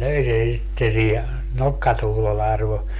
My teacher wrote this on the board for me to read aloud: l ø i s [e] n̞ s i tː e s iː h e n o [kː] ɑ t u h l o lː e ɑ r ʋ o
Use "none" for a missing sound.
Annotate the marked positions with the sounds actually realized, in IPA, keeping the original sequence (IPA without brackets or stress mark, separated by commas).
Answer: e, kː